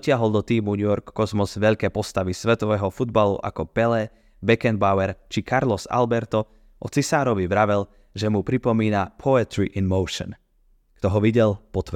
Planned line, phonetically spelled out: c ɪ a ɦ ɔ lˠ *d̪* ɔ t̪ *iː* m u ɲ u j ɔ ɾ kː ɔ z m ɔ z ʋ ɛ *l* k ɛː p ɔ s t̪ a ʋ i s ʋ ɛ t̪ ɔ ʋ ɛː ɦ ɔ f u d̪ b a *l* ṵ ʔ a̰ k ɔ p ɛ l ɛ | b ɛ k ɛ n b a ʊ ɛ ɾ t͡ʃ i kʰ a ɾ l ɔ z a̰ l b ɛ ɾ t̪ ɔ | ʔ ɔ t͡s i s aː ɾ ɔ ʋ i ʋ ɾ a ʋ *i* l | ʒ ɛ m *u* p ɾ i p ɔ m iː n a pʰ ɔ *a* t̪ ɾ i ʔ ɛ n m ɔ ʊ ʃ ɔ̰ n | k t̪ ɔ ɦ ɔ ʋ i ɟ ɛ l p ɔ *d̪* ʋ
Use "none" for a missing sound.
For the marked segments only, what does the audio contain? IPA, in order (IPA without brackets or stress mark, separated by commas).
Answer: d̪, iː, ʎ, l, ɛ, u, ɛ, t̪